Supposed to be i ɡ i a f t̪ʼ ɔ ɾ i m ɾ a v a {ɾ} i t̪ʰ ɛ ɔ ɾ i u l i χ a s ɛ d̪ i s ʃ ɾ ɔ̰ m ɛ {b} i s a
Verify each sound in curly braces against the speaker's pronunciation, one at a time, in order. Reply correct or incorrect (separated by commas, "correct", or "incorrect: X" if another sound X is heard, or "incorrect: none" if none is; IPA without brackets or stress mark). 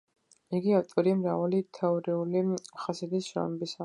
incorrect: l, correct